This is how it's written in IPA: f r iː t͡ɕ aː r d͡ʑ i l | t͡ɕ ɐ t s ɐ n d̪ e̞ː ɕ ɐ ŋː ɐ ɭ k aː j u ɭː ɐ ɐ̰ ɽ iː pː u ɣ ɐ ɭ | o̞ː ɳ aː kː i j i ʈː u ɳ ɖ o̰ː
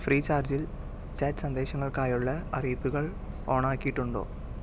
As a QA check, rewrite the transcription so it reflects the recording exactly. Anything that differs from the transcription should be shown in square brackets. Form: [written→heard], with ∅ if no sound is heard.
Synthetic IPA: f r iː t͡ɕ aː r d͡ʑ i l | t͡ɕ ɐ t s ɐ n d̪ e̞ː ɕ ɐ ŋː ɐ ɭ k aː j u ɭː ɐ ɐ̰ [ɽ→r] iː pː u ɣ ɐ ɭ | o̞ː ɳ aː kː i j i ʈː u ɳ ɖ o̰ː